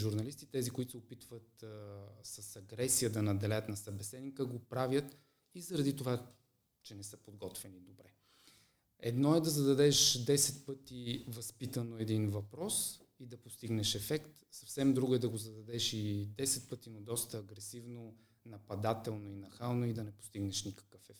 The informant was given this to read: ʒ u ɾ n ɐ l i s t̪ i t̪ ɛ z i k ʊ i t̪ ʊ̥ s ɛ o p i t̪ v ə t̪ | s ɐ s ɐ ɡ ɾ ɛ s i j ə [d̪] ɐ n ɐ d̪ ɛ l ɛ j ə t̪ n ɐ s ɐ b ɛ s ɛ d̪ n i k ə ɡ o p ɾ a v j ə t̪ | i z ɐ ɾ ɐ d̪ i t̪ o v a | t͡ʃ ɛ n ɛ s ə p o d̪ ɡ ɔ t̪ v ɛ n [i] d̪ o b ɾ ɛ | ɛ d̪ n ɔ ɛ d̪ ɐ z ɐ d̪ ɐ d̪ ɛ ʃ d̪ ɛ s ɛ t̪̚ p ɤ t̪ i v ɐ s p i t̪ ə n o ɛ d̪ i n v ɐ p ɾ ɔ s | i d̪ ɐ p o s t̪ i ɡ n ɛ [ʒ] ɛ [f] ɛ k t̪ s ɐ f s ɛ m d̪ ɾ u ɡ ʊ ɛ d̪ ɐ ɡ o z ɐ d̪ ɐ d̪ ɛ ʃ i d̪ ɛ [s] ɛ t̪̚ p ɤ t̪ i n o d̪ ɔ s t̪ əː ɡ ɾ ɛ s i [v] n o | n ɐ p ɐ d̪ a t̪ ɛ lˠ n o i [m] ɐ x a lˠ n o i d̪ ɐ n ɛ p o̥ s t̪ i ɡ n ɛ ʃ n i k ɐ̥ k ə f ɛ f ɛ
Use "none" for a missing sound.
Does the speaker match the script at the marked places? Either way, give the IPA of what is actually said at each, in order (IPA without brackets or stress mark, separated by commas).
d̪, i, ʃ, f, s, v, n